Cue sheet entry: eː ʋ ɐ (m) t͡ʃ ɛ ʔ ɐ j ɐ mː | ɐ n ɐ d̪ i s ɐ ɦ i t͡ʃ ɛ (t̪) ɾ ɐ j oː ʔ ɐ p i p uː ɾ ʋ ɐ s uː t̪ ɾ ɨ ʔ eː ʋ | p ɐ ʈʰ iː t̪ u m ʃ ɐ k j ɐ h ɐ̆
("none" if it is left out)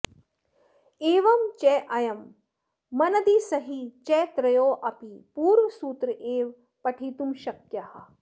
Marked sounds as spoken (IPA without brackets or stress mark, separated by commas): m, t̪